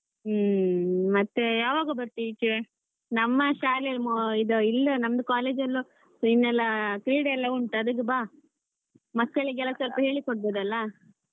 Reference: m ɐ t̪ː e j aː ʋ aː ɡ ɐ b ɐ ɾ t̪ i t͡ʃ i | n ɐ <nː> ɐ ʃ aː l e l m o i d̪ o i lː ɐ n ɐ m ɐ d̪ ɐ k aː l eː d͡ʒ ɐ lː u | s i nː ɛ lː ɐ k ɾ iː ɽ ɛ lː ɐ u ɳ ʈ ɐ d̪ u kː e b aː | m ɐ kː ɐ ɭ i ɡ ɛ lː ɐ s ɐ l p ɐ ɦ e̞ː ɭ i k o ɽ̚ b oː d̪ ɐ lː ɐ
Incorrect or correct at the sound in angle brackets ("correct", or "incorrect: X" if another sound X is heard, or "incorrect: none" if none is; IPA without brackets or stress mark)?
incorrect: mː